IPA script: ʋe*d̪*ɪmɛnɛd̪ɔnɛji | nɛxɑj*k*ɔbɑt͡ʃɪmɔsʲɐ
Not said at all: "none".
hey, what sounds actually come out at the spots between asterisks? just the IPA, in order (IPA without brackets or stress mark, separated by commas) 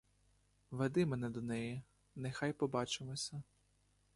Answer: d̪, p